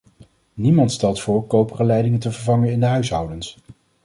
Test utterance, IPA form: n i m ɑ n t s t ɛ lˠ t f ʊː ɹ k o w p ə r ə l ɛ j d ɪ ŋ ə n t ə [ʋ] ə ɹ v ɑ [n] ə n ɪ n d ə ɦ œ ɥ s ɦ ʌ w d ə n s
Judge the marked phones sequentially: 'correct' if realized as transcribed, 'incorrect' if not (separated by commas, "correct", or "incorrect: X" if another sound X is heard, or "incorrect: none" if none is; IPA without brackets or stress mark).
incorrect: v, incorrect: ŋ